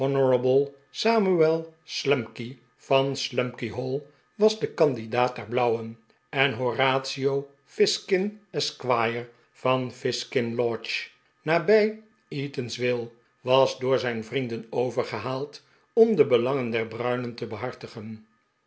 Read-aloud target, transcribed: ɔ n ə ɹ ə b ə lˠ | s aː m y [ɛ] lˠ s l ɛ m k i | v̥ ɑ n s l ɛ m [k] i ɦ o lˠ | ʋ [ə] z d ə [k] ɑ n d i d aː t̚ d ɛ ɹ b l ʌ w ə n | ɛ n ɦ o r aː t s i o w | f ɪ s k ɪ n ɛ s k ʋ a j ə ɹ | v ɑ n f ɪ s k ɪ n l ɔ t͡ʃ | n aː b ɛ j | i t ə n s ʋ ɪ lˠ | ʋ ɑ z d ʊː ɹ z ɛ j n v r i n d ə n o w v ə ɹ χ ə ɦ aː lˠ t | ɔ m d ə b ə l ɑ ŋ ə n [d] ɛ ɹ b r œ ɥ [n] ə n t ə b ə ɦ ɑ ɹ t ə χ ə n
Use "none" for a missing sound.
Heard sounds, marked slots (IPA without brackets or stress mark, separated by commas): ɛ, k, ɑ, k, d, n